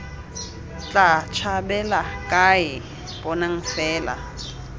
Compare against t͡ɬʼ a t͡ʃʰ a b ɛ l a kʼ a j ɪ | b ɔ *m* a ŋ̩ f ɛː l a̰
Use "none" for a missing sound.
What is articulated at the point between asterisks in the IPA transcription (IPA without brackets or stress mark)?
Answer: n